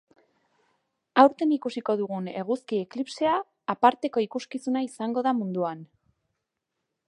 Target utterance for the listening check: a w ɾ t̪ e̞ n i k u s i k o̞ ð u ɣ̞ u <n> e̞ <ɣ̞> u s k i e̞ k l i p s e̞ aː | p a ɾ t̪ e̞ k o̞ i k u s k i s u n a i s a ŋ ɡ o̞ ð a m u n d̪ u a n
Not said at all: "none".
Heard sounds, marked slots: n, ɣ̞

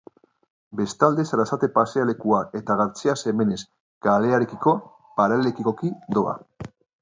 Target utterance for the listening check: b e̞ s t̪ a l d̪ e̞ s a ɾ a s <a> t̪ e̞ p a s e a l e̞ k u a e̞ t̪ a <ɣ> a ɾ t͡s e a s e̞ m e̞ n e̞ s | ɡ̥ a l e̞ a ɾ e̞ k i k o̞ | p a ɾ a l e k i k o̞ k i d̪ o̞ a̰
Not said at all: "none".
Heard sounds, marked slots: a, ɣ

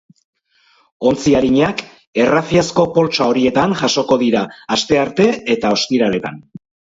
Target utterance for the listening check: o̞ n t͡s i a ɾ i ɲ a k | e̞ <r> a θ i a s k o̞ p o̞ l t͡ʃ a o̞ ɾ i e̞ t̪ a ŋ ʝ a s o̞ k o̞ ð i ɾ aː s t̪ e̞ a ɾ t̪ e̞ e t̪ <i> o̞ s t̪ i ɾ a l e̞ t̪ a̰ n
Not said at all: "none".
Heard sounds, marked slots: r, a

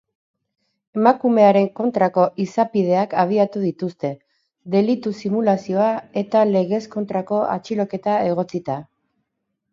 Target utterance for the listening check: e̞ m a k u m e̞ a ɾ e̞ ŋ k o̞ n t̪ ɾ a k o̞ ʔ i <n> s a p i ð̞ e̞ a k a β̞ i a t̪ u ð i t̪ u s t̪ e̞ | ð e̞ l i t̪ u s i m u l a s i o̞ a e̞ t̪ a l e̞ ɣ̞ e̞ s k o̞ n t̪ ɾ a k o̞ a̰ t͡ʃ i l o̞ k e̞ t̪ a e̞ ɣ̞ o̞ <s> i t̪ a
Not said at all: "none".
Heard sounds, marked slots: none, t͡s

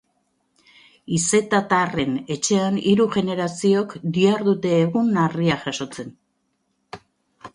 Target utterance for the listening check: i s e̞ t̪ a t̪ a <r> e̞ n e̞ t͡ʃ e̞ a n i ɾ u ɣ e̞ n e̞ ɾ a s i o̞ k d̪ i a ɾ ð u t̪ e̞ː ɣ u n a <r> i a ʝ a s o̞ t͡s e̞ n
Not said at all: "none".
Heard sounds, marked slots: r, r

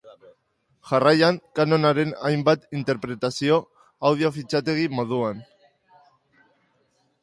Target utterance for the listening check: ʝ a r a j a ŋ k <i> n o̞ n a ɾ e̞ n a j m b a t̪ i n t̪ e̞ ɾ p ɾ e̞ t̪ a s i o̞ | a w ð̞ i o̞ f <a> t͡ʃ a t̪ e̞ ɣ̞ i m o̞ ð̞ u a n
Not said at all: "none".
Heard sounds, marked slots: a, i

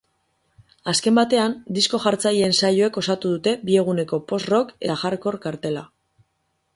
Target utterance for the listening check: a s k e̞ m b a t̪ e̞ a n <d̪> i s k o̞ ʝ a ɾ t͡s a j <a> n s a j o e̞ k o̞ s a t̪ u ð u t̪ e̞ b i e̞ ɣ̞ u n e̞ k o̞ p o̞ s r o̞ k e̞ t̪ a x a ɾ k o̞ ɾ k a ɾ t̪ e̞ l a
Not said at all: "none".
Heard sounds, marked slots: d̪, e

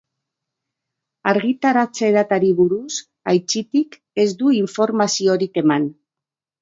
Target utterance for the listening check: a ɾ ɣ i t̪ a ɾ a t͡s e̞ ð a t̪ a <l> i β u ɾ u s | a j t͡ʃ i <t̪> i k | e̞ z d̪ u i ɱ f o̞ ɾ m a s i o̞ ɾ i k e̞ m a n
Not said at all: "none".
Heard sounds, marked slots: ɾ, t̪

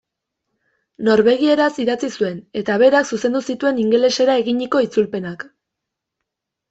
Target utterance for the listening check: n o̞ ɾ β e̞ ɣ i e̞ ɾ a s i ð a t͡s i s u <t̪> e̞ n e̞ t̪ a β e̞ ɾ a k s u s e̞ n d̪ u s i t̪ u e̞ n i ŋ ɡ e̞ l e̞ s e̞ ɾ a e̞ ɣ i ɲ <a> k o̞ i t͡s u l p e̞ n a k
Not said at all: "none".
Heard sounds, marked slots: none, i

